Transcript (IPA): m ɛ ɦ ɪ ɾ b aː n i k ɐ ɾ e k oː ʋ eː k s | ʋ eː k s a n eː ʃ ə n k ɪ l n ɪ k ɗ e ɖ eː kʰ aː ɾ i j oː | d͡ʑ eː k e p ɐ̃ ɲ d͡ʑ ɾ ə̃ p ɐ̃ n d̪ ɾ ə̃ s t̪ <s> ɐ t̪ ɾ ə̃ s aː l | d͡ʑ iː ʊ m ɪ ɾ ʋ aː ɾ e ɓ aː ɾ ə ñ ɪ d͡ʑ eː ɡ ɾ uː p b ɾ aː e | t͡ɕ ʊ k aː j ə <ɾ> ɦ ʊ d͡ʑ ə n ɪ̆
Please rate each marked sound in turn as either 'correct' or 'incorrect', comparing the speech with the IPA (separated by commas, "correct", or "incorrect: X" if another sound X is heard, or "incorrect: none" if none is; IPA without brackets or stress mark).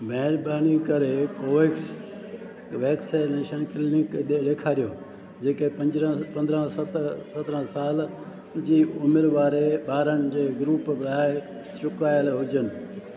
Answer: correct, incorrect: l